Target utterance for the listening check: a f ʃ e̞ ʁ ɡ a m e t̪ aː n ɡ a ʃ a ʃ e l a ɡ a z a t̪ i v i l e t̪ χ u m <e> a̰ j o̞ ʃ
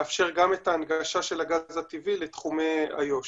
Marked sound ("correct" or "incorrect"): correct